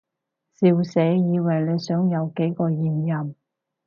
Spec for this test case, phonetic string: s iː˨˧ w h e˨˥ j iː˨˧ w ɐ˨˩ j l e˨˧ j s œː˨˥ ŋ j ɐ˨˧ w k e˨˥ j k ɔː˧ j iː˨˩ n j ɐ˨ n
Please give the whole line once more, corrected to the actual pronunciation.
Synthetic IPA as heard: s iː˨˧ w s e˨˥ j iː˨˧ w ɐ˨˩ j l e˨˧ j s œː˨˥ ŋ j ɐ˨˧ w k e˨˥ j k ɔː˧ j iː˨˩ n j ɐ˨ m

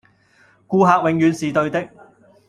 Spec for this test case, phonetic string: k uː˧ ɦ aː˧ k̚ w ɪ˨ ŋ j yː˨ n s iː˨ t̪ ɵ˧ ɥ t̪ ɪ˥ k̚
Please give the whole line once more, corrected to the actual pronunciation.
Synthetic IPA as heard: k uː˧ ɦ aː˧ k̚ w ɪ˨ ŋ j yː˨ n s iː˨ t̪ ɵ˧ ɥ t̪ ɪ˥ k̚

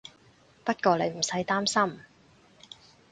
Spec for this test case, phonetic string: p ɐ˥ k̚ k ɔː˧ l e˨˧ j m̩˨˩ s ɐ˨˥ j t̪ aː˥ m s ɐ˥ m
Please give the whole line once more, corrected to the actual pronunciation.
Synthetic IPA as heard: p ɐ˥ t̚ k ɔː˧ l e˨˧ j m̩˨˩ s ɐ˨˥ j t̪ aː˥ m s ɐ˥ m

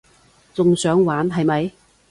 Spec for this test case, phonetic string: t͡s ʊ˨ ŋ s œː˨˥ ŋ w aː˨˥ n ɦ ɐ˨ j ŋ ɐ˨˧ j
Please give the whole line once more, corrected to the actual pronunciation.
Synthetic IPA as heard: t͡s ʊ˨ ŋ s œː˨˥ ŋ w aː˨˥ n ɦ ɐ˨ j m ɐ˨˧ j

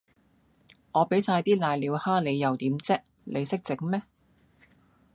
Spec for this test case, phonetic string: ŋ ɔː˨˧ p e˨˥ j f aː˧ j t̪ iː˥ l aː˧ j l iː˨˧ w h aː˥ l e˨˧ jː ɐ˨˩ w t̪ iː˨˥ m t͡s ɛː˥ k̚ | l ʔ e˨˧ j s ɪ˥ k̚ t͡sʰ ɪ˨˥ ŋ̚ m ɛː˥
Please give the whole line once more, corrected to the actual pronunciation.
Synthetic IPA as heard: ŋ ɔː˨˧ p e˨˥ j s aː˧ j t̪ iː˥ l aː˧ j l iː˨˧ w h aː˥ l e˨˧ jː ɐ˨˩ w t̪ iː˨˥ m t͡s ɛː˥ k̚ | l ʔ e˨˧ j s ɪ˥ k̚ t͡s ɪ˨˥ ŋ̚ m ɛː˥

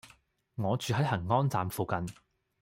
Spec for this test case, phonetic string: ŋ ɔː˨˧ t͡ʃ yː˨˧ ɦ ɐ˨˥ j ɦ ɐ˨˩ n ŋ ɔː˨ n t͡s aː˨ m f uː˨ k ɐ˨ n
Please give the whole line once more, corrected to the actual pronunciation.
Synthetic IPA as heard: ŋ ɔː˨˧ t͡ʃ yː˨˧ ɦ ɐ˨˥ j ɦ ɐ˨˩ ŋ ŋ ɔː˥ n t͡s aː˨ m f uː˨ k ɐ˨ n

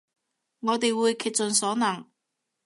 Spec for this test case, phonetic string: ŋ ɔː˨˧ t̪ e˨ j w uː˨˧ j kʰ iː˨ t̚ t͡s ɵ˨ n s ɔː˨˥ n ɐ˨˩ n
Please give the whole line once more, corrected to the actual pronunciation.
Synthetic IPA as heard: ŋ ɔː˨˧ t̪ e˨ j w uː˨˧ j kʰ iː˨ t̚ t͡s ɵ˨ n s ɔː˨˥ n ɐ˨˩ ŋ

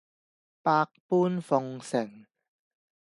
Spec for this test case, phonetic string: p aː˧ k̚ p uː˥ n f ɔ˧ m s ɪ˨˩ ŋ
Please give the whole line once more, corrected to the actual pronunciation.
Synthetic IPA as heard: p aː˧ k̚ p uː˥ n f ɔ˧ ŋ s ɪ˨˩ ŋ

